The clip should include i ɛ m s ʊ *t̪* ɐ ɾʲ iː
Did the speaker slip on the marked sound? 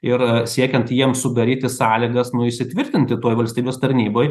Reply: yes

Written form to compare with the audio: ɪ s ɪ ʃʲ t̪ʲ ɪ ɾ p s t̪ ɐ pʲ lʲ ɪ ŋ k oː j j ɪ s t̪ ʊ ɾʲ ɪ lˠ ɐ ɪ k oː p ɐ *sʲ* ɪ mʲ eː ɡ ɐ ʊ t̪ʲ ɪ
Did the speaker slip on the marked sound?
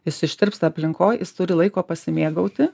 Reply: no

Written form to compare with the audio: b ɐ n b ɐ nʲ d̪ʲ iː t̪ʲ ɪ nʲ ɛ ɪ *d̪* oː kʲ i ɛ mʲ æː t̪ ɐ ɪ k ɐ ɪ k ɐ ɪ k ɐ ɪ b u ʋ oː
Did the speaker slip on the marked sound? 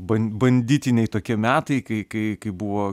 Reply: yes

